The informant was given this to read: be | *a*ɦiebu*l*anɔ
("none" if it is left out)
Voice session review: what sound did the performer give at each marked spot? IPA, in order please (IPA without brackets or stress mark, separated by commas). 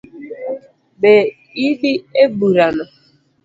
i, ɾ